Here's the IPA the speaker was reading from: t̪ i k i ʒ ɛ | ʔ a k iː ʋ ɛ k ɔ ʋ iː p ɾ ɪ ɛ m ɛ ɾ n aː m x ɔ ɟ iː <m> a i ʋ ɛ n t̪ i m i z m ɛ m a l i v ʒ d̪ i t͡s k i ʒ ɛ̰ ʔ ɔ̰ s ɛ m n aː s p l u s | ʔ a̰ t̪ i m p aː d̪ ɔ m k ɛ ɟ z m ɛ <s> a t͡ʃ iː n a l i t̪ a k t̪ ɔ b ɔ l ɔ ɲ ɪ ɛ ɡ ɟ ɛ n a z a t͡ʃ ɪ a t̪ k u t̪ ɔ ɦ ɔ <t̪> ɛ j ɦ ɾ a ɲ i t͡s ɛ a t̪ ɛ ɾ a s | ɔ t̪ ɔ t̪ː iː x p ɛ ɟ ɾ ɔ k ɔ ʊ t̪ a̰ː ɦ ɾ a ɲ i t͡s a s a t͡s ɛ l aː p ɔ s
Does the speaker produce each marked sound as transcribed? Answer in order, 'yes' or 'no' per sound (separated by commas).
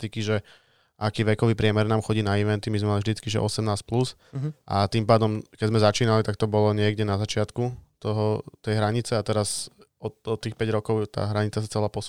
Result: no, no, yes